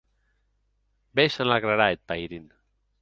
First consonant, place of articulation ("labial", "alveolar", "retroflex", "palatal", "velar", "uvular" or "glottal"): labial